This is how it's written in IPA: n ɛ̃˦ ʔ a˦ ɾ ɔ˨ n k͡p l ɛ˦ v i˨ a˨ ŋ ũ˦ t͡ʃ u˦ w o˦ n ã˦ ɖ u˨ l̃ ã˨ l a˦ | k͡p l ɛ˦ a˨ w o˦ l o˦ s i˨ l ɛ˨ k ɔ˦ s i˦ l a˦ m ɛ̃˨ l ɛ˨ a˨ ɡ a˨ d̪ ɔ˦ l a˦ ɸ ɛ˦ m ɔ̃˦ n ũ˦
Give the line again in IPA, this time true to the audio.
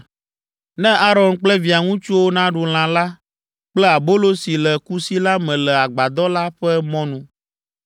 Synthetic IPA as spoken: n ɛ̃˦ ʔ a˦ ɾ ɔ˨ n k͡p l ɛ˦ v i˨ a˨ ŋ ũ˦ t͡ʃ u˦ w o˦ n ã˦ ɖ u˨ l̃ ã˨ l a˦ | k͡p l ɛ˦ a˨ b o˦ l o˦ s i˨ l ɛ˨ k u˦ s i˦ l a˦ m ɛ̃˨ l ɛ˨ a˨ ɡ͡b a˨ d̪ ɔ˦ l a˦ ɸ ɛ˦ m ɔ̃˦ n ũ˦

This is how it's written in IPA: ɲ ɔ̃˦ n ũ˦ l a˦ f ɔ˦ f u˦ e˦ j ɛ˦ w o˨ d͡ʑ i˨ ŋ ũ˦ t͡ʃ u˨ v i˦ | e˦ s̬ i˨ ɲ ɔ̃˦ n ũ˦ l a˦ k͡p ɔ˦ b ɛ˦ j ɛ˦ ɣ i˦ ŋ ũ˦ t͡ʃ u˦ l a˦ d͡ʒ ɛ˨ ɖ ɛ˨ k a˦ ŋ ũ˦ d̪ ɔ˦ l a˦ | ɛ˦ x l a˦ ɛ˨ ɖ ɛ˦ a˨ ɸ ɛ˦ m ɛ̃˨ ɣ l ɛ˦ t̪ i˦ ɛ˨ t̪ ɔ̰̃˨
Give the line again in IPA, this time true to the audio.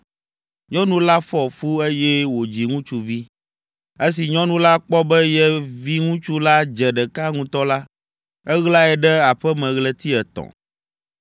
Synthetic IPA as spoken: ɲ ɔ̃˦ n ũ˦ l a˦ f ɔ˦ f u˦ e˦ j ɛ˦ w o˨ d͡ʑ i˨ ŋ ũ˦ t͡ʃ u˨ v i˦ | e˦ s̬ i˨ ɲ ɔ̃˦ n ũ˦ l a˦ k͡p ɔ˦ b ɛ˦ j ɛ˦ v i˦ ŋ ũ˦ t͡ʃ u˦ l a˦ d͡ʒ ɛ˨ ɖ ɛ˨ k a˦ ŋ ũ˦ t̪ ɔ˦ l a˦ | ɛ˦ ɣ l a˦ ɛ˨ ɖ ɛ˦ a˨ ɸ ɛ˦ m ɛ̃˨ ɣ l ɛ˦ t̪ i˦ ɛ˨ t̪ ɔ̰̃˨

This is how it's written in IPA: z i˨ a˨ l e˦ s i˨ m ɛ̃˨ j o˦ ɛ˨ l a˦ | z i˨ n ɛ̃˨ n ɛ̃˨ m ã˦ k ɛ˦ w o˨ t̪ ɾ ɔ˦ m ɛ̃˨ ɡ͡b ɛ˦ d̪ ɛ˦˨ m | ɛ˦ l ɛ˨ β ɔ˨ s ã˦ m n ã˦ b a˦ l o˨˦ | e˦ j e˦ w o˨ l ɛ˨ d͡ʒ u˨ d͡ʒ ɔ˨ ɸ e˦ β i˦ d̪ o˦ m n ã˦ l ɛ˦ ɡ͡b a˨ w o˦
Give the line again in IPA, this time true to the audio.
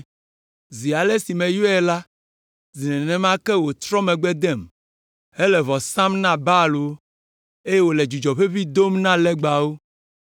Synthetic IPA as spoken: z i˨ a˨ l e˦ s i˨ m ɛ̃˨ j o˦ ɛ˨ l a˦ | z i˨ n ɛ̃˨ n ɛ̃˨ m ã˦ k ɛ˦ w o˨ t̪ ɾ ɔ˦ m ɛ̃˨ ɡ͡b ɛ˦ d̪ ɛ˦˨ m | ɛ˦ l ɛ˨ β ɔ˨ s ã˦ m n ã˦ b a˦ l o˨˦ | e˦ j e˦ w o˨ l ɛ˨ d͡ʒ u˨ d͡ʒ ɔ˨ ɸ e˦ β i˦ d̪ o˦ m n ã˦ l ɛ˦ ɡ͡b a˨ w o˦

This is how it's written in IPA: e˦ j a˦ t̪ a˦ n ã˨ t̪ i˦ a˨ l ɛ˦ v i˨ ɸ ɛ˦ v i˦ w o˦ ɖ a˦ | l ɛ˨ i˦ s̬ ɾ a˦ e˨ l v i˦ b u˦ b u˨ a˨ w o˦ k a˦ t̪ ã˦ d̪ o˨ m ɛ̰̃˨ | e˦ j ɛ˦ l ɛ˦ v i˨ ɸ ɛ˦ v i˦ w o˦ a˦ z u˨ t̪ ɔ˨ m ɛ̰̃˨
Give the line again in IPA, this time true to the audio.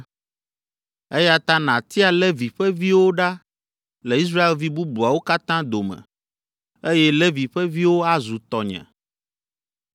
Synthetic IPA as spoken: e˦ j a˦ t̪ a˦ n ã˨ t̪ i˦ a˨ l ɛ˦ v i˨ ɸ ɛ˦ v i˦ w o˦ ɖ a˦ | l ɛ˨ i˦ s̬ ɾ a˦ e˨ l v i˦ b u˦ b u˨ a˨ w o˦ k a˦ t̪ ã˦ d̪ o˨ m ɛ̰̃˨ | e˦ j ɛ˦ l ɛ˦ v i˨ ɸ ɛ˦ v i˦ w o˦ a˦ z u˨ t̪ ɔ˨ ɲ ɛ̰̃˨

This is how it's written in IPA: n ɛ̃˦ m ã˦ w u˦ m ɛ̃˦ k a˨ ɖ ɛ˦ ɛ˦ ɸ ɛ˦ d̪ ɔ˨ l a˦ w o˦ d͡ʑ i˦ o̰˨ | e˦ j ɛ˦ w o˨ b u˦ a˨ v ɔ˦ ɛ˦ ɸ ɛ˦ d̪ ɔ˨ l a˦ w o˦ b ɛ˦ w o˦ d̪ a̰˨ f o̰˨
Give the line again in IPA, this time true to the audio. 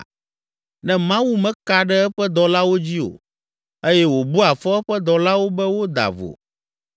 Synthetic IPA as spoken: n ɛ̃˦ m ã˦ w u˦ m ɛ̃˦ k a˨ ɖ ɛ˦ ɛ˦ ɸ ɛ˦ d̪ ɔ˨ l a˦ w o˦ d͡ʑ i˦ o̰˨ | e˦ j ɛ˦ w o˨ b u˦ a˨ f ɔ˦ ɛ˦ ɸ ɛ˦ d̪ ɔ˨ l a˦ w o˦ b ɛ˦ w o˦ d̪ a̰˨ v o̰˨

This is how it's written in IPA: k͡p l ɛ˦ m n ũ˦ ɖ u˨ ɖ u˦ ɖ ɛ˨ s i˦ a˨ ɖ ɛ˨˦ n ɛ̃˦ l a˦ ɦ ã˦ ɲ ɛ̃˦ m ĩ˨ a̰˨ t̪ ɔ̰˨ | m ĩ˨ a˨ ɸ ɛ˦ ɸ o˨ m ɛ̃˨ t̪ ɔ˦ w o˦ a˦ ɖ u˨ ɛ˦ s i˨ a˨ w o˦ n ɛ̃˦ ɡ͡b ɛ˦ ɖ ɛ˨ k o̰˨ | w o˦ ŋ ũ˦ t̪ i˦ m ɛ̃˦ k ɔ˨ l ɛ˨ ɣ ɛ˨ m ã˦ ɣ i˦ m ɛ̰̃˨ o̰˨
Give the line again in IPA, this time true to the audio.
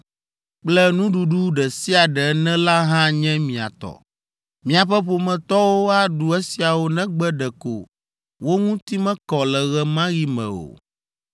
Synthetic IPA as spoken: k͡p l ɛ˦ n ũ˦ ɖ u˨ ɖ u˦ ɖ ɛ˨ s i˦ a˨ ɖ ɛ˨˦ n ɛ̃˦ l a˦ ɦ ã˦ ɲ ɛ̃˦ m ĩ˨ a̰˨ t̪ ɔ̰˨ | m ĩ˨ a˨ ɸ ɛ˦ ɸ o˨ m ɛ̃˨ t̪ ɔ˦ w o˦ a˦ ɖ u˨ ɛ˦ s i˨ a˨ w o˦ n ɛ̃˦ ɡ͡b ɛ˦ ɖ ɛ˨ k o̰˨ | w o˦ ŋ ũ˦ t̪ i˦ m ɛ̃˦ k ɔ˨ l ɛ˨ ɣ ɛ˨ m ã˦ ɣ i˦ m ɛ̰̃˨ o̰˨

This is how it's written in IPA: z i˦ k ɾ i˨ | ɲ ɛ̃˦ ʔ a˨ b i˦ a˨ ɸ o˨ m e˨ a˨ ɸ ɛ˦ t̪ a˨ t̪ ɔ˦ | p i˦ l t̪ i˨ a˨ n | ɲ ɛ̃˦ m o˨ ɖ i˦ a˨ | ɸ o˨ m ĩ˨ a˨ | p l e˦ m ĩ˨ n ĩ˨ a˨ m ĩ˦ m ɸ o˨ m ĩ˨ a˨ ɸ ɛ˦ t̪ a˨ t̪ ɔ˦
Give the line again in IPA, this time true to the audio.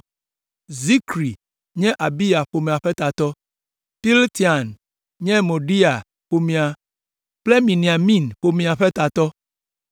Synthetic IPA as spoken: z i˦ k ɾ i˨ | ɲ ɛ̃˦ ʔ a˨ b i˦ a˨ ɸ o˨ m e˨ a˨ ɸ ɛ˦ t̪ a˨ t̪ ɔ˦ | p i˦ l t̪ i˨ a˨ n | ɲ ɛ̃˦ m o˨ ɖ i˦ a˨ | ɸ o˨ m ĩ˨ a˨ | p l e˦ m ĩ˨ n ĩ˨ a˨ m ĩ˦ n ɸ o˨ m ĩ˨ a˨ ɸ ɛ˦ t̪ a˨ t̪ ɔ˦

